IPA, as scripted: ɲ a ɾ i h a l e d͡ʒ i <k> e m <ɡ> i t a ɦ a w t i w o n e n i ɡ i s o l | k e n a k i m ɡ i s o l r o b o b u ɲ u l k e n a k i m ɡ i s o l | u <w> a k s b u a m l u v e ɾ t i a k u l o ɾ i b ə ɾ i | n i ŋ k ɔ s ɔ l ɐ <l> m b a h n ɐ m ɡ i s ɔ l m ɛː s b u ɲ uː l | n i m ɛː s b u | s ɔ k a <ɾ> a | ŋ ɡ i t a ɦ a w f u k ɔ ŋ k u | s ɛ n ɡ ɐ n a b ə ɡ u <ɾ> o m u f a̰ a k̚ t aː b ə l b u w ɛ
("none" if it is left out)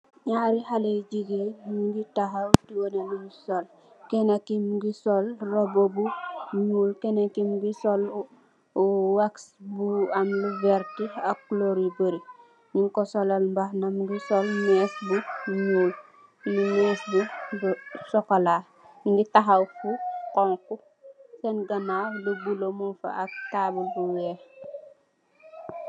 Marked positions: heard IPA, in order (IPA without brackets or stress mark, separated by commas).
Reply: ɡ, ɡ, w, l, l, l